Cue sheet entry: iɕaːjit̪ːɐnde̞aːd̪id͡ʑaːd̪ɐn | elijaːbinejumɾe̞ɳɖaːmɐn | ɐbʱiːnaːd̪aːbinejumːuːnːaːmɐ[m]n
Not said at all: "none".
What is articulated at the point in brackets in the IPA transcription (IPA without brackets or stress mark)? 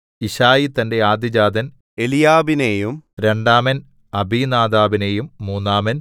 none